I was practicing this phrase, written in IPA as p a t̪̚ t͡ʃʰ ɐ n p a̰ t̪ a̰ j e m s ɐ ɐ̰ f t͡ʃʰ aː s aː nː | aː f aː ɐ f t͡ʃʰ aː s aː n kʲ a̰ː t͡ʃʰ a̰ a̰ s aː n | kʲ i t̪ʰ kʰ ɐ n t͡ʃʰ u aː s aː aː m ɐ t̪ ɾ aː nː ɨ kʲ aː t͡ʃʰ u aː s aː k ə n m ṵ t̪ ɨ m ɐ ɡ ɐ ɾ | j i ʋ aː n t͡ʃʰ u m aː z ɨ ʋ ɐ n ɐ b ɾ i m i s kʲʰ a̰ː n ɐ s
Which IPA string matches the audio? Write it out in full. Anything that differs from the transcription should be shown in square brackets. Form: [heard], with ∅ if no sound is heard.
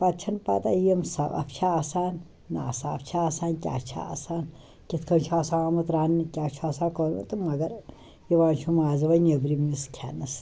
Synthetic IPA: p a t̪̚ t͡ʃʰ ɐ n p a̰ t̪ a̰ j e m s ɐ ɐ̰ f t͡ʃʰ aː s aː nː | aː [s] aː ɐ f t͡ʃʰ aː s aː n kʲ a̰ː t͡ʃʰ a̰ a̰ s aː n | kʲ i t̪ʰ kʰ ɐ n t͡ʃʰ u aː s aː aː m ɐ t̪ ɾ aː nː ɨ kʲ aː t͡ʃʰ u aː s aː k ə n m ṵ t̪ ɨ m ɐ ɡ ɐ ɾ | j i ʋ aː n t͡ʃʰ u m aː z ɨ ʋ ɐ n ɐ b ɾ i m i s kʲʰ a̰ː n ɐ s